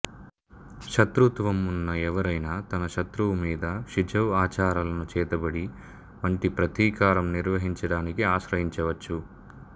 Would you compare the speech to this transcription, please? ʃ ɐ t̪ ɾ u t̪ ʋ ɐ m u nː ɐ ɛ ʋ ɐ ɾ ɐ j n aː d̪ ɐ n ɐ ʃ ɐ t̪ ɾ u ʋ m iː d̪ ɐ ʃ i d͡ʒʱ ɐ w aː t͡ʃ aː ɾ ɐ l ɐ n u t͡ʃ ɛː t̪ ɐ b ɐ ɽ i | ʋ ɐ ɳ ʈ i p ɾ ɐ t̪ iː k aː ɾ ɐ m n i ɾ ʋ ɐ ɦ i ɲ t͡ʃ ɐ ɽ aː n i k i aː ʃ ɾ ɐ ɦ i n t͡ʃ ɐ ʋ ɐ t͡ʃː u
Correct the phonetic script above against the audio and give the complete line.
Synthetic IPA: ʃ ɐ t̪ ɾ u t̪ ʋ ɐ m u nː ɐ ɛ ʋ ɐ ɾ ɐ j n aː t̪ ɐ n ɐ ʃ ɐ t̪ ɾ u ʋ m iː d̪ ɐ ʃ i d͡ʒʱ ɐ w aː t͡ʃ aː ɾ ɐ l ɐ n u t͡ʃ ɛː t̪ ɐ b ɐ ɽ i | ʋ ɐ ɳ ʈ i p ɾ ɐ t̪ iː k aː ɾ ɐ m n i ɾ ʋ ɐ ɦ i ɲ t͡ʃ ɐ ɽ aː n i k i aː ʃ ɾ ɐ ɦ i ɲ t͡ʃ ɐ ʋ ɐ t͡ʃː u